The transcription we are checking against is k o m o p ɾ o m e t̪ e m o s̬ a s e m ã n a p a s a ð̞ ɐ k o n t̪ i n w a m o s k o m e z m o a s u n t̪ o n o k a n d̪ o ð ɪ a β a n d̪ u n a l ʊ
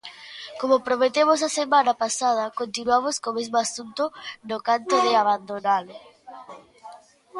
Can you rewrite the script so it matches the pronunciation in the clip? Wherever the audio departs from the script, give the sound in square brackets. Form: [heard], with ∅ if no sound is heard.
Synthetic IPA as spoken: k o m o p ɾ o m e t̪ e m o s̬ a s e m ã n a p a s a ð̞ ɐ k o n t̪ i n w a m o s k o m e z m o a s u n t̪ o n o k a n [t̪] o ð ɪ a β a n d̪ [o] n a l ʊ